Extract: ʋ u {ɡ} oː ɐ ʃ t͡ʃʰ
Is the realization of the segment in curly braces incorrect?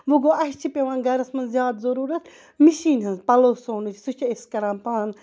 no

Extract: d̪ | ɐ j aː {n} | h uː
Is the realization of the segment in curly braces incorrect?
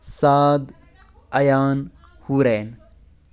no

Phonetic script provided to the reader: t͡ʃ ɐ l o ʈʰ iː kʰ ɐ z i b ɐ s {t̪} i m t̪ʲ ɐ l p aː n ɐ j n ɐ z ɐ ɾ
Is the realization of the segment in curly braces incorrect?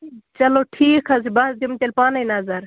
yes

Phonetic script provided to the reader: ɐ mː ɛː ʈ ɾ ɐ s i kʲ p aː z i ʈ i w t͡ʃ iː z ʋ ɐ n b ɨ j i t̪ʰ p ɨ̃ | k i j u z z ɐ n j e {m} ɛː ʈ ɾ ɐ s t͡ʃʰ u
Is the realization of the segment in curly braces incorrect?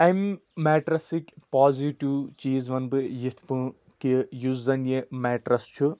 no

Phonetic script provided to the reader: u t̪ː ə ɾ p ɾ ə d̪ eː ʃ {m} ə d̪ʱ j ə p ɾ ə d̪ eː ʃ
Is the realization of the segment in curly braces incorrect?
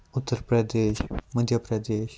no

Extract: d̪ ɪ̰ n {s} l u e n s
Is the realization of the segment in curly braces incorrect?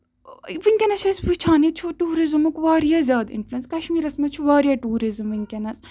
yes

